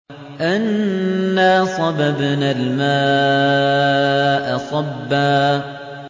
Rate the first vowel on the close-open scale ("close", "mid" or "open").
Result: open